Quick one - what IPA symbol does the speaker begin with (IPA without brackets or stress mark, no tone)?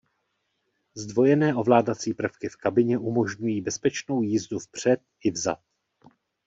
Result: z